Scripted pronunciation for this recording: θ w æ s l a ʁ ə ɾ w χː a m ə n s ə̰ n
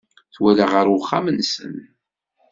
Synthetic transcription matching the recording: θ w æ l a ʁ ə ɾ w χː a m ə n s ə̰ n

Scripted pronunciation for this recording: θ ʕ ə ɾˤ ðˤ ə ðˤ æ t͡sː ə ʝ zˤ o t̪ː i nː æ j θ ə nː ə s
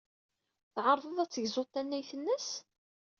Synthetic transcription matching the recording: θ ʕ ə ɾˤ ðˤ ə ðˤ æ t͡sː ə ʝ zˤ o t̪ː æ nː æ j θ ə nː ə s

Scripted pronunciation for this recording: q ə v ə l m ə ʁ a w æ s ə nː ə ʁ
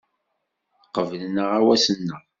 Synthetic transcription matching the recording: q ə v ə l n ə ʁ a w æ s ə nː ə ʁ

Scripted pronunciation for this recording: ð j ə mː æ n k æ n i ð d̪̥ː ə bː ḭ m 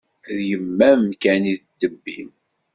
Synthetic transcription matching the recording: ð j ə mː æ m k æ n i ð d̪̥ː ə bː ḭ m

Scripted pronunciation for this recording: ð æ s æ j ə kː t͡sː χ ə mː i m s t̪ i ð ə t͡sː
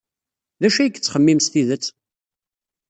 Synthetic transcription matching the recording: ð æ ʃ æ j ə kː t͡sː χ ə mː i m s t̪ i ð ə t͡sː

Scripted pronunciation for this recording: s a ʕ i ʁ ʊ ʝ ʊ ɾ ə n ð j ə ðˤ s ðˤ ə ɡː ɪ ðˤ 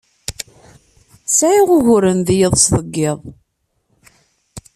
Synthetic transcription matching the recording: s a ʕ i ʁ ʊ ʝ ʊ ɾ ə n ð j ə ðˤ s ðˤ ə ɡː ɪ ðˤ

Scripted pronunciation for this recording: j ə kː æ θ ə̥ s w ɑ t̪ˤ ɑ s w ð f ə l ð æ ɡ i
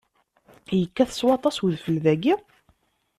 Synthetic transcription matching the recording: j ə kː æ θ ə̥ s w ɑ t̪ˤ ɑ s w ð f ə l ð æ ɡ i

